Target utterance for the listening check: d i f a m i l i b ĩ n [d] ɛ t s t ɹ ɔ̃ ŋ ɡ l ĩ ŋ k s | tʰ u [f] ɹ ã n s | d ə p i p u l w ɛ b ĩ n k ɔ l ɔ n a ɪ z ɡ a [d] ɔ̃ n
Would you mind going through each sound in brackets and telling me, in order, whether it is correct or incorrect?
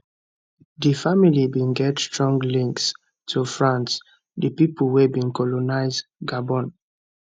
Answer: incorrect, correct, incorrect

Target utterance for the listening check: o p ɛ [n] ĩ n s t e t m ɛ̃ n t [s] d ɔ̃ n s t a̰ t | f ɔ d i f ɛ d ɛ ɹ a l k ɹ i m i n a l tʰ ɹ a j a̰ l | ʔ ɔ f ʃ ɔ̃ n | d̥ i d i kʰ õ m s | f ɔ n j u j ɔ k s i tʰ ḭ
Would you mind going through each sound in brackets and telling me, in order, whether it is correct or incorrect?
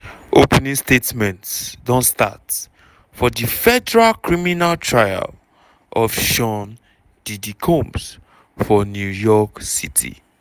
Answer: correct, correct

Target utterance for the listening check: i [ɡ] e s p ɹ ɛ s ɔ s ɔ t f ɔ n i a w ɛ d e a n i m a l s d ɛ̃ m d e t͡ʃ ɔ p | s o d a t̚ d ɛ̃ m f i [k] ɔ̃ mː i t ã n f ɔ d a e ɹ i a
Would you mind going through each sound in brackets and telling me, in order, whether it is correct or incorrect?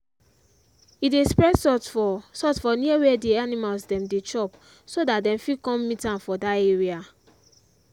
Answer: incorrect, correct

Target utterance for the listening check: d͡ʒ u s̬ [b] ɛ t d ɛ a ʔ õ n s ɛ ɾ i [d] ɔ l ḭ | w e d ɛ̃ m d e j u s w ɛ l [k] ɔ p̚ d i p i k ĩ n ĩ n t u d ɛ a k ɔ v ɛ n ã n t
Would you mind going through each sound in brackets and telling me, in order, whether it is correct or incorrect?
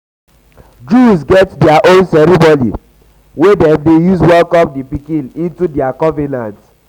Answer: incorrect, incorrect, correct

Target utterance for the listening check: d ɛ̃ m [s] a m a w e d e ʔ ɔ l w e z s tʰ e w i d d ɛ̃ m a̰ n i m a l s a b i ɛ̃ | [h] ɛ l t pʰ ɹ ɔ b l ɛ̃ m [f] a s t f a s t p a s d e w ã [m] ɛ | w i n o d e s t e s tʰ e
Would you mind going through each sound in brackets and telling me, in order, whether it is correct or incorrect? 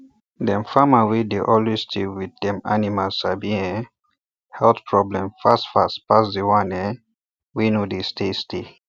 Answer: incorrect, correct, correct, incorrect

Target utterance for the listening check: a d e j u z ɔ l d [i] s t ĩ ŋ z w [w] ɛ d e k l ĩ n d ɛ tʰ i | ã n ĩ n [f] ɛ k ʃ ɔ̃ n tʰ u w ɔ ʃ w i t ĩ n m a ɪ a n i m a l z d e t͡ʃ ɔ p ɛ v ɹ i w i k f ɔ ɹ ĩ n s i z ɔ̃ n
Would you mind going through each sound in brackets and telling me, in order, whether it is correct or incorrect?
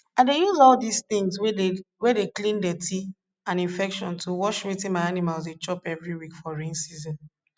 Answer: correct, correct, correct

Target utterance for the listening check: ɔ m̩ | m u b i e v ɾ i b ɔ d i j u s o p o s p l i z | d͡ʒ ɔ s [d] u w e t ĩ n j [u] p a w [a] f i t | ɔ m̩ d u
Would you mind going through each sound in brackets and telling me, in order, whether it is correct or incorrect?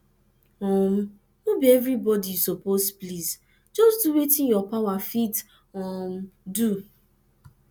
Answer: correct, incorrect, correct

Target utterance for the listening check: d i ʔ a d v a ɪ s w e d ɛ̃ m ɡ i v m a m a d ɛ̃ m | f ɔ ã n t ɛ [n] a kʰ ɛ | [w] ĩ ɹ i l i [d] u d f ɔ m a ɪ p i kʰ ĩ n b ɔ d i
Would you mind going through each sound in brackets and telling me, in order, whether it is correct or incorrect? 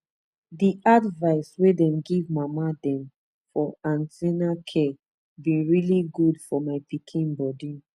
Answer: correct, incorrect, incorrect

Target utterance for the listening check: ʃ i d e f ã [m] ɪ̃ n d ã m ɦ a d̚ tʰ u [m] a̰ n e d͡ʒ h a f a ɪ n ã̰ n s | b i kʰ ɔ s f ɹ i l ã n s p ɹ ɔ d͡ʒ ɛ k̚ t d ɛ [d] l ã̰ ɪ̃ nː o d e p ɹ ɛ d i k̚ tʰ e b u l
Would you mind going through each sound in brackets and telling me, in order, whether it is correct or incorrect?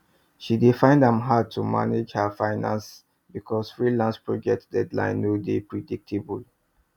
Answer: incorrect, correct, correct

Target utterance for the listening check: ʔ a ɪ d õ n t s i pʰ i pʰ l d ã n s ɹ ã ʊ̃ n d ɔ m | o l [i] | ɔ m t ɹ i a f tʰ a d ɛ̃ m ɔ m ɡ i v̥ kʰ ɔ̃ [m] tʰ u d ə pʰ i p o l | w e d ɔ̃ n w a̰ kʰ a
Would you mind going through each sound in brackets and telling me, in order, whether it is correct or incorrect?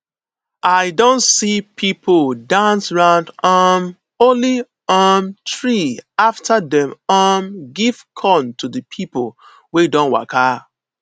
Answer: correct, incorrect

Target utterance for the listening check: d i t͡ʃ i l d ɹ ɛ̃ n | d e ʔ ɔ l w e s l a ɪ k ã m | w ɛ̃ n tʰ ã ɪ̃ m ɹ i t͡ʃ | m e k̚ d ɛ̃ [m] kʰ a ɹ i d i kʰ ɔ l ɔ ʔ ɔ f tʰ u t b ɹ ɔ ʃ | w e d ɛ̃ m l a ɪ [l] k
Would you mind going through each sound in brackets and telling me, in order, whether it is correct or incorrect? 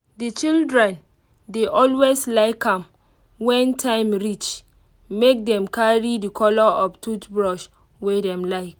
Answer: correct, incorrect

